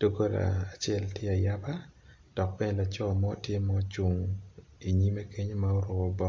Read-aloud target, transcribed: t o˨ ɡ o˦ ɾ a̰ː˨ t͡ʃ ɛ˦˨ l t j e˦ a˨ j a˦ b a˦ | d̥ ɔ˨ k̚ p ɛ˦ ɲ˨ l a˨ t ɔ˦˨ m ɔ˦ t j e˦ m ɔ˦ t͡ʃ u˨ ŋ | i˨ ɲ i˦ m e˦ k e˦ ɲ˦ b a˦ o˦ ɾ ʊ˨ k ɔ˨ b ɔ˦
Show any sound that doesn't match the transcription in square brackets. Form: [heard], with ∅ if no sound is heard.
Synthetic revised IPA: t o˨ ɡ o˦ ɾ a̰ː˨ t͡ʃ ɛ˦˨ l t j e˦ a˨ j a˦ b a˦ | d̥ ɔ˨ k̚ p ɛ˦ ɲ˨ l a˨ [t͡ʃ] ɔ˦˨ m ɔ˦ t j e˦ m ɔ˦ t͡ʃ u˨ ŋ | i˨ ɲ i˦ m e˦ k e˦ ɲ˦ [m] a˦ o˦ ɾ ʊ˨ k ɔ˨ b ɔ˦